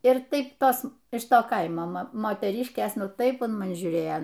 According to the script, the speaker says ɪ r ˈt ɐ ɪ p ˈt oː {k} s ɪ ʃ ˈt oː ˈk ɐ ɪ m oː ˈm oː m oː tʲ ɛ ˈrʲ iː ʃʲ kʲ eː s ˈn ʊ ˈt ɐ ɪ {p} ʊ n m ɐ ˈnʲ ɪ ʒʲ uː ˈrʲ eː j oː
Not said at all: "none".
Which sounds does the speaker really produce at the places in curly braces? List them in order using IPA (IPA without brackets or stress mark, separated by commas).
none, p